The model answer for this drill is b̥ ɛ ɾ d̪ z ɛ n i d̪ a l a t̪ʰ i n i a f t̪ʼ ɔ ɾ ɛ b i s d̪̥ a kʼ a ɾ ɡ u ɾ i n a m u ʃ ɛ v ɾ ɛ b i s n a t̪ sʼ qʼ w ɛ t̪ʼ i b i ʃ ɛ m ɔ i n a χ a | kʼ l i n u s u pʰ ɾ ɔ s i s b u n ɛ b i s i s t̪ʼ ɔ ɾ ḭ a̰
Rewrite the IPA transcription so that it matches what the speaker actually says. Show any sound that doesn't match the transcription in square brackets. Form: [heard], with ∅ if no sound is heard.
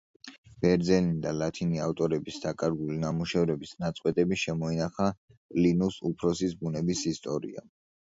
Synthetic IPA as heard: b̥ ɛ ɾ d̪ z ɛ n i d̪ a l a t̪ʰ i n i a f t̪ʼ ɔ ɾ ɛ b i s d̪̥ a kʼ a ɾ ɡ u [l] i n a m u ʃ ɛ v ɾ ɛ b i s n a t̪ sʼ qʼ w ɛ t̪ʼ [ɛ] b i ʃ ɛ m ɔ i n a χ a | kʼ l i n u s u pʰ ɾ ɔ s i s b u n ɛ b i s i s t̪ʼ ɔ ɾ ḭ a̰